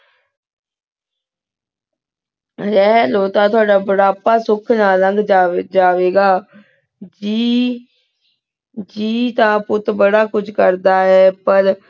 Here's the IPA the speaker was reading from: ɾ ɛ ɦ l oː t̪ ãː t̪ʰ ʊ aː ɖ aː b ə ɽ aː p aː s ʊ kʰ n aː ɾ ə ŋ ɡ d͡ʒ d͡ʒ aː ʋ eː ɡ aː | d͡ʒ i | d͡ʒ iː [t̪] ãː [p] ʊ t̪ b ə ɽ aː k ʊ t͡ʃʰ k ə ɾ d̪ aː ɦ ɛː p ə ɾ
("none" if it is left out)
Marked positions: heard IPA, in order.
t̪, p

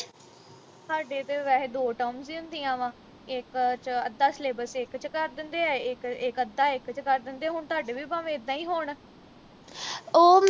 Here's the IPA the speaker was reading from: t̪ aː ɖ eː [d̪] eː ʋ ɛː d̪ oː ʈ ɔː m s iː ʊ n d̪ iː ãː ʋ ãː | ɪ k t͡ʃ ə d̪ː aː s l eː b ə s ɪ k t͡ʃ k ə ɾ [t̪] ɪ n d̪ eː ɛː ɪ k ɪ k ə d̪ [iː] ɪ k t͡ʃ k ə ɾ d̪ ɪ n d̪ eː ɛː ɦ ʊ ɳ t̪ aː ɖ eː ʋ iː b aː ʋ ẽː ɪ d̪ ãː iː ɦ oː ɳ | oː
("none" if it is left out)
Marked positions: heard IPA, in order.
t̪, d̪, aː

